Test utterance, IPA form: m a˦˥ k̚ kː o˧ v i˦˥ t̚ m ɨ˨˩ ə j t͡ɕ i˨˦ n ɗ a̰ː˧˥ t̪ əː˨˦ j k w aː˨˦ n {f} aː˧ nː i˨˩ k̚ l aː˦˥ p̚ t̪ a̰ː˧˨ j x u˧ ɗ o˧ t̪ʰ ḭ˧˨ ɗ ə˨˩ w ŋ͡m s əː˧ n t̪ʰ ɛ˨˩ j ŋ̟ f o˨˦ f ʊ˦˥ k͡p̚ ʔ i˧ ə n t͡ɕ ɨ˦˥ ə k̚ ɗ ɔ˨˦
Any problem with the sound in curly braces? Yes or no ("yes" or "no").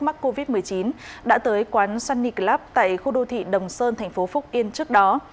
yes